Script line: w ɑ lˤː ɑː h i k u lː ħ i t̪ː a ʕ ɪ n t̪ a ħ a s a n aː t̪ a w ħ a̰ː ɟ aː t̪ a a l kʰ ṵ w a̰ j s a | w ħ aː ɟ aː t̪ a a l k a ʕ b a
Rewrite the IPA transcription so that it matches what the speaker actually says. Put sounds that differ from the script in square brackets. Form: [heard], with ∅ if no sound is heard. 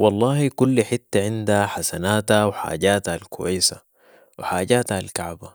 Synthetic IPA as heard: w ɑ lˤː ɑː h i k u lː ħ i t̪ː a ʕ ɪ n [d̪] a ħ a s a n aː t̪ a w ħ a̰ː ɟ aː t̪ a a l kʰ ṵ w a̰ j s a | w ħ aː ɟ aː t̪ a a l k a ʕ b a